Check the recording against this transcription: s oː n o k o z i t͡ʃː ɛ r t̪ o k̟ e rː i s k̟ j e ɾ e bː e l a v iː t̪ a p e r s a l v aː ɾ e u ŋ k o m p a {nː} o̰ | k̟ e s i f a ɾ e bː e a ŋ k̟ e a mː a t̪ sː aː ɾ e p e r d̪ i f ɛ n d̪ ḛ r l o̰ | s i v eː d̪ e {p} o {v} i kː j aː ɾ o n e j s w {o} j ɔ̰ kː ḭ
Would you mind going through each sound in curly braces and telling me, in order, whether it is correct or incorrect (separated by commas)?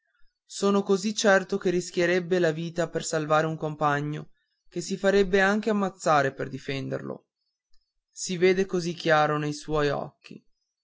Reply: incorrect, incorrect, incorrect, incorrect